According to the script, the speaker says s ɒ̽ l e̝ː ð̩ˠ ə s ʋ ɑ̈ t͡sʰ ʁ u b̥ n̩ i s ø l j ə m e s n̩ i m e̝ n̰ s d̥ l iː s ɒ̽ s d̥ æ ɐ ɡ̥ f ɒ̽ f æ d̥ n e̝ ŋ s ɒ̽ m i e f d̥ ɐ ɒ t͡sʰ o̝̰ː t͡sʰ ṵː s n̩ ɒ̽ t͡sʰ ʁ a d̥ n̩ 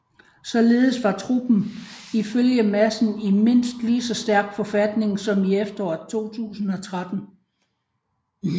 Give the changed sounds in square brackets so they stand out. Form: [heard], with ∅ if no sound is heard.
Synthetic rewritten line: s ɒ̽ l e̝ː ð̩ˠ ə s ʋ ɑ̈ t͡sʰ ʁ u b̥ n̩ i [f] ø l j ə m [æ] s n̩ i m e̝ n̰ s d̥ l iː s ɒ̽ s d̥ æ ɐ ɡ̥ f ɒ̽ f æ d̥ n e̝ ŋ s ɒ̽ m i e f d̥ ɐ ɒ t͡sʰ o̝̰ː t͡sʰ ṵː s n̩ ɒ̽ t͡sʰ ʁ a d̥ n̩